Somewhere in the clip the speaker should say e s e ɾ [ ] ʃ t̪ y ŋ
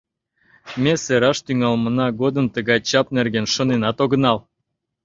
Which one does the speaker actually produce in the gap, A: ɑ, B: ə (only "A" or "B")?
A